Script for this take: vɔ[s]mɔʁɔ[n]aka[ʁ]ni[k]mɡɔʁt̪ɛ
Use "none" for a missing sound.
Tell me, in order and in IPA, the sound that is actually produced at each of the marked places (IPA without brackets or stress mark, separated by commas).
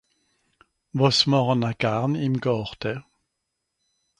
s, n, ʁ, none